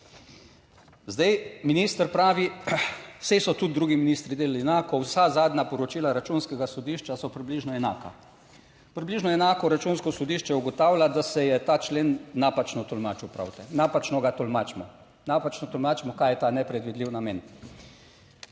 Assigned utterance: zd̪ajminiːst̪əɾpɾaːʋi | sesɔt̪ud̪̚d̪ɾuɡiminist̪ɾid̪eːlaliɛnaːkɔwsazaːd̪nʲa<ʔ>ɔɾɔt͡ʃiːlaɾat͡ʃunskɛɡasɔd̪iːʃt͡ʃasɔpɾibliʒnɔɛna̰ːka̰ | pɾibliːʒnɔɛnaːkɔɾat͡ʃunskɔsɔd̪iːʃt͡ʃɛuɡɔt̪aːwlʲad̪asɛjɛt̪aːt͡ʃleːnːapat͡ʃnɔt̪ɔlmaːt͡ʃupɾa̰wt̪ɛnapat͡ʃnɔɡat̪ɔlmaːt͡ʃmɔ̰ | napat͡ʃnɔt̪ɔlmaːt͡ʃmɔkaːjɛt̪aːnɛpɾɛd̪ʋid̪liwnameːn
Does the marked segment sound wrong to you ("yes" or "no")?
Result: yes